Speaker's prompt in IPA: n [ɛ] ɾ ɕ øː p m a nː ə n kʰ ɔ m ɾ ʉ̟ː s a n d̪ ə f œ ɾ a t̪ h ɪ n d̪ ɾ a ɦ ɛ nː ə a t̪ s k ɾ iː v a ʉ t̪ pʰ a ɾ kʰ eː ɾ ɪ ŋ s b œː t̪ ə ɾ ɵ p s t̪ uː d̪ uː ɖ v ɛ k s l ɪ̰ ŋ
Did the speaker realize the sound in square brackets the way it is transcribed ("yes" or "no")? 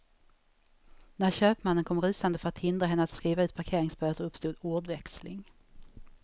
no